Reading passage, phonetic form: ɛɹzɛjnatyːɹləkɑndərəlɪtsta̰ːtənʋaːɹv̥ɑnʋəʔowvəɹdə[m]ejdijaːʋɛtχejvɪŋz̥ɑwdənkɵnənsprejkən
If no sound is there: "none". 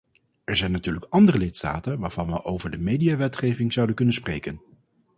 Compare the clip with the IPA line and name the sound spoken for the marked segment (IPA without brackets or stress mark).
m